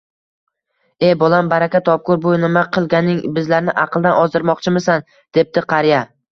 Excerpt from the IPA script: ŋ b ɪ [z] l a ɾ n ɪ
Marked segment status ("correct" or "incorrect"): correct